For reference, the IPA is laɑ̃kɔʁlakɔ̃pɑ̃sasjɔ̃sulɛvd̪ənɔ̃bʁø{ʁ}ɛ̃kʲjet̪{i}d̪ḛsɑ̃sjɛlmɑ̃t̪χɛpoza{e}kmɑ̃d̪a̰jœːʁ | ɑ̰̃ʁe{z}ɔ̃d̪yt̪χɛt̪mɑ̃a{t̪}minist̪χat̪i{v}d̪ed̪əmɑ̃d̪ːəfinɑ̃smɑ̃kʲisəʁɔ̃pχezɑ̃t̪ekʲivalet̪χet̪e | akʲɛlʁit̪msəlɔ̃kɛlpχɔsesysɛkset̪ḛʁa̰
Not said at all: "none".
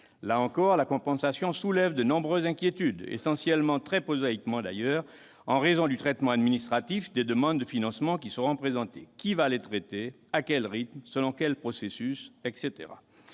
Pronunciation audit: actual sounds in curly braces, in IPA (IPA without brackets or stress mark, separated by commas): z, y, i, z, d̪, f